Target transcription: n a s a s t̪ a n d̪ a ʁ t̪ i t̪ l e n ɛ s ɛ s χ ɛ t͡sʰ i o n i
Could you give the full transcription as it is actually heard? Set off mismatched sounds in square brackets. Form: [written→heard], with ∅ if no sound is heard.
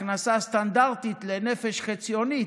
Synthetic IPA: n a s a s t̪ a n d̪ a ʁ t̪ i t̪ l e n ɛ [s→f] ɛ [s→ʃ] χ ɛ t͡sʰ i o n i